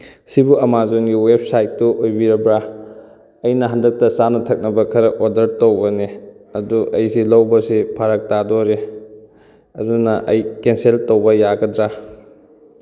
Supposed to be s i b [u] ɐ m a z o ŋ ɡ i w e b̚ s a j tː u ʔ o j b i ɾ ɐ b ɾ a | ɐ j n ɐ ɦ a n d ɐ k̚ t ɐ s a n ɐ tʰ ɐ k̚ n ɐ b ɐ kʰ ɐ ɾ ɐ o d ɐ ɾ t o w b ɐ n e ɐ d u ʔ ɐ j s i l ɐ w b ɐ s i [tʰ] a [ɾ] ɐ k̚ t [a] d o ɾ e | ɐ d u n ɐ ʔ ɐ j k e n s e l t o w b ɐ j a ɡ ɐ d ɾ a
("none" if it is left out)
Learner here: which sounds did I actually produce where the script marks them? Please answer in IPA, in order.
u, pʰ, ɾ, a

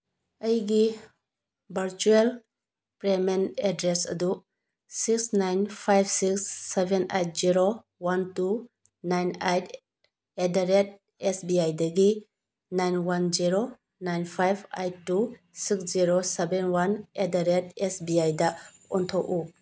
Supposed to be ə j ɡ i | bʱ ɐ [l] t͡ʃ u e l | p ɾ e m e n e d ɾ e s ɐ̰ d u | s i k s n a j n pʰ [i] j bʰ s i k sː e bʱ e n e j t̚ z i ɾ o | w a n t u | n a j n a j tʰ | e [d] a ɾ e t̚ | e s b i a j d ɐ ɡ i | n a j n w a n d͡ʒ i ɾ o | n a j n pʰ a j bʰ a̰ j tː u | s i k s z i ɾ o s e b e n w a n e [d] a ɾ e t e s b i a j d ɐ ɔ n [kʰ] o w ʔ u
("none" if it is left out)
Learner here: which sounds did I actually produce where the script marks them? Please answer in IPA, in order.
ɾ, a, d, d, tʰ

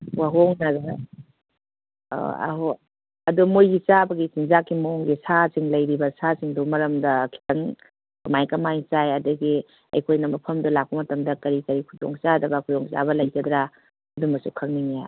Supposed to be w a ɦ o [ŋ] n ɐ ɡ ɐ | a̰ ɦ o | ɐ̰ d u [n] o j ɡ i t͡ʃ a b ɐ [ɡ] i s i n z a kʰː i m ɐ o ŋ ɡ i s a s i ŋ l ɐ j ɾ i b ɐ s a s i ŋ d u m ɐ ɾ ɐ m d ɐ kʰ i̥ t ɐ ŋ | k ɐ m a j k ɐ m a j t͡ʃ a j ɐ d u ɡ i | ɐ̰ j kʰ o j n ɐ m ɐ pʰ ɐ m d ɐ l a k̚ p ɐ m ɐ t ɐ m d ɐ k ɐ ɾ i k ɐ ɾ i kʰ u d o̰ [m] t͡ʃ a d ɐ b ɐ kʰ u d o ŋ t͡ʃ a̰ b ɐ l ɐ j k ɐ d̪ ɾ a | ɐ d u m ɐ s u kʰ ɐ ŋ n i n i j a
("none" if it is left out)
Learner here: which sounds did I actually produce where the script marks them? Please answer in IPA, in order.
ŋ, m, ɡ, ŋ

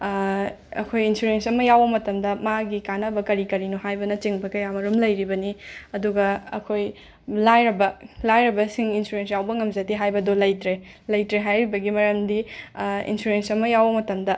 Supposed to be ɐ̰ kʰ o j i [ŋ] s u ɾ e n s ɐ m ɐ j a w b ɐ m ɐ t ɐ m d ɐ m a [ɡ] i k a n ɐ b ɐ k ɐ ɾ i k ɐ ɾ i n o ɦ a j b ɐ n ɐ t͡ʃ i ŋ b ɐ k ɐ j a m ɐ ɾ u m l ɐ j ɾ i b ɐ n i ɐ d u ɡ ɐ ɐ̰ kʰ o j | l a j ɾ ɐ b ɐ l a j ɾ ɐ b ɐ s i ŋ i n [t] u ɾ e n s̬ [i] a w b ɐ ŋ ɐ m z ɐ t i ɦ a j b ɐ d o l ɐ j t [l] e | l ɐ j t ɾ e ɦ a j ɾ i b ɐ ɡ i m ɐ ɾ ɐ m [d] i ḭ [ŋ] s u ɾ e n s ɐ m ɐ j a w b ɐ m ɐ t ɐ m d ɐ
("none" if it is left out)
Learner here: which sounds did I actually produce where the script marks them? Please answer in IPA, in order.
n, ɡ, s, j, ɾ, d, n

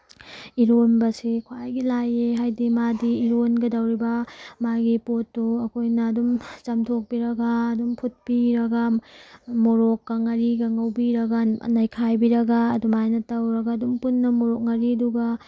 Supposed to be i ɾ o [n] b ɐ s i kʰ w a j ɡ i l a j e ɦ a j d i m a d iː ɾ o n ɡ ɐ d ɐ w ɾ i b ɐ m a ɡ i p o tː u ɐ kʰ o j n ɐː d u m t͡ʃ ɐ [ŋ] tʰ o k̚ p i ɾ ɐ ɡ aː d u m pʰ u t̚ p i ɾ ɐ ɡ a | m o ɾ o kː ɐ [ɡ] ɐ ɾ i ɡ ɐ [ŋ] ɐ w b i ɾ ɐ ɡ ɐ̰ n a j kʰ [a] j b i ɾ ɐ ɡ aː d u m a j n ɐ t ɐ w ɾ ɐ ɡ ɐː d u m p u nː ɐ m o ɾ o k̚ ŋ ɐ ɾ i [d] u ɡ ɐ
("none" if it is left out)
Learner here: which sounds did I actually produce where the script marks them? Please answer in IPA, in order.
n, m, ŋ, ŋ, a, d

